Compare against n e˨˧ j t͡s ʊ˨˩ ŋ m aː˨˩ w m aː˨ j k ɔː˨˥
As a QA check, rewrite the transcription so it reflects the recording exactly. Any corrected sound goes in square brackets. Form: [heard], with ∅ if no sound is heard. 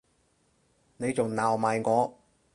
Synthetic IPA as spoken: n e˨˧ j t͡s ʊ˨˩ ŋ [n] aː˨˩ w m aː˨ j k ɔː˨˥